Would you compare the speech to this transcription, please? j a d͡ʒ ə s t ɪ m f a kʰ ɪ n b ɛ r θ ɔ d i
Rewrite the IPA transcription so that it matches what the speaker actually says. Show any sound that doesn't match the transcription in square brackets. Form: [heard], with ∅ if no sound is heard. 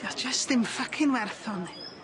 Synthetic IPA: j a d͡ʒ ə s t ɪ m f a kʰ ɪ n [w] ɛ r θ ɔ [n] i

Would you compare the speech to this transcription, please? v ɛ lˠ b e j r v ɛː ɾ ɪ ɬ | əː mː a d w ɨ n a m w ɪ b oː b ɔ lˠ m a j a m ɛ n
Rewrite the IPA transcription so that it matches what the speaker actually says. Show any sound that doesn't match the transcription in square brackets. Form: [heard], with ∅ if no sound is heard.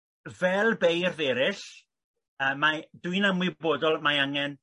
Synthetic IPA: v ɛ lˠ b e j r [ð] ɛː ɾ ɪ ɬ | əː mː a d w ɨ n a m w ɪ b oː [d] ɔ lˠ m a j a [ŋ] ɛ n

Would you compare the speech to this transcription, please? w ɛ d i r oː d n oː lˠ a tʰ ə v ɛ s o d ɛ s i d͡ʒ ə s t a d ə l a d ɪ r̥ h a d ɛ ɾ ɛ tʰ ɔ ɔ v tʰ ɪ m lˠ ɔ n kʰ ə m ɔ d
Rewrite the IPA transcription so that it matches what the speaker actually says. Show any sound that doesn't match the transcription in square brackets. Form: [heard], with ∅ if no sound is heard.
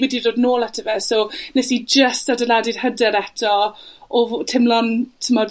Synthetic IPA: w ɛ d i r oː d n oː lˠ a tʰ ə v ɛ s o [n] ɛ s i d͡ʒ ə s t a d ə l a d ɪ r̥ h [ə] d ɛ ɾ ɛ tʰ ɔ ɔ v tʰ ɪ m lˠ ɔ n [tʰ] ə m ɔ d

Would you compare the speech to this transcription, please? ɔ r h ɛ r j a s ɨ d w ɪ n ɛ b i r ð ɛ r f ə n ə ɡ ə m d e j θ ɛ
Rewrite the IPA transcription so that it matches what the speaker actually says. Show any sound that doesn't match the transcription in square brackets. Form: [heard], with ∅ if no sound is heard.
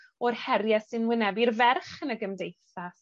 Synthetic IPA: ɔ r h ɛ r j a s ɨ [n] w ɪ n ɛ b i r [v] ɛ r [χ] ə n ə ɡ ə m d e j θ [a]

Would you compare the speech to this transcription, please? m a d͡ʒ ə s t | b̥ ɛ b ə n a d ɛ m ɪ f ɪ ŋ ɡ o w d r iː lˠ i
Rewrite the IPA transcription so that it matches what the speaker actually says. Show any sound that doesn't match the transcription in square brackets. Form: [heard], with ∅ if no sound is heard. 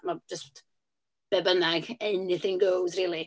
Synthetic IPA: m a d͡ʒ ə s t | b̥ ɛ b ə n a [ɡ] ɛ [n] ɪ [θ] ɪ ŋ ɡ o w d r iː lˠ i

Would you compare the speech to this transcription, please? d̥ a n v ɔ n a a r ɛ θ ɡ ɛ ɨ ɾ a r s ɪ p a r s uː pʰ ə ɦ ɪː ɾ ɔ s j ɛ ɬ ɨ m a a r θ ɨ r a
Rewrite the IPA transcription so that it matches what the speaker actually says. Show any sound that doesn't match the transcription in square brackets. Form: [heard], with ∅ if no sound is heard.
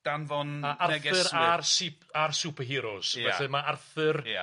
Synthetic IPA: d̥ a n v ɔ n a a r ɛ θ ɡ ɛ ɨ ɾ a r s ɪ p a r s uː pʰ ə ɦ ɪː ɾ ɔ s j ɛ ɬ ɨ m a a r θ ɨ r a

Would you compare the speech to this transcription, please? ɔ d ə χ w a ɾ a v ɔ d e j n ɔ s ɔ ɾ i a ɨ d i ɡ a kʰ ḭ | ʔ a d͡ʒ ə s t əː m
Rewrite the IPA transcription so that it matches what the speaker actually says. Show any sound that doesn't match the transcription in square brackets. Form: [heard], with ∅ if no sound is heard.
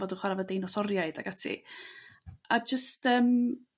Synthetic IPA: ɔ d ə χ w a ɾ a v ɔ d e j n ɔ s ɔ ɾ [j] a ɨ d [a] ɡ a [tʰ] ḭ | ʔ a d͡ʒ ə s t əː m

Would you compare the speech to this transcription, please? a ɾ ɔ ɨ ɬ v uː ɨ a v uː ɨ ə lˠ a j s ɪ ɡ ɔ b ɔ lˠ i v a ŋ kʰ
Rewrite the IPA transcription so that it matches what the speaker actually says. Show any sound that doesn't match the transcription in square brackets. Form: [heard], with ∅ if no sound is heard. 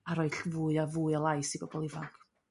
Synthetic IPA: a ɾ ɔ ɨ ɬ v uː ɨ a v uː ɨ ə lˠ a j s [i] ɡ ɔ b ɔ lˠ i v a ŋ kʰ

